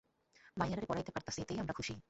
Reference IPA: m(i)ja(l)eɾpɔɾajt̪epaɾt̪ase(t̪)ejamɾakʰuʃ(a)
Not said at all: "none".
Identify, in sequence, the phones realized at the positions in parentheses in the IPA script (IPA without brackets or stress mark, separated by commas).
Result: a, ɾ, t̪, i